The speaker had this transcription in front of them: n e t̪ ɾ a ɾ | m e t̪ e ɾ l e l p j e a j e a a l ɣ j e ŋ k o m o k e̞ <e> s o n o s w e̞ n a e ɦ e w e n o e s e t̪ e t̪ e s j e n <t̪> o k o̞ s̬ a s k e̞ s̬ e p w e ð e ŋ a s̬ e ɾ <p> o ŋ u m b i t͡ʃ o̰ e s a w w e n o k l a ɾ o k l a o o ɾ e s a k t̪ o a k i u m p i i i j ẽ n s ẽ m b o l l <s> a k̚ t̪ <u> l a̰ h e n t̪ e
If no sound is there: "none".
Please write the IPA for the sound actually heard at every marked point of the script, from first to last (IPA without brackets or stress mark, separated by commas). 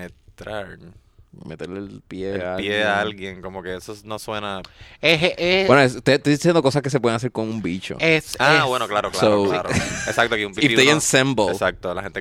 e, d̪, k, s, o